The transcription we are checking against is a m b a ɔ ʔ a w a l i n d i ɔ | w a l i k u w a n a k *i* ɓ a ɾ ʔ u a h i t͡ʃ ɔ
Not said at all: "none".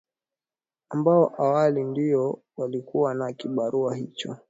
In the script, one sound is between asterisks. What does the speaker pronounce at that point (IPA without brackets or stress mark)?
i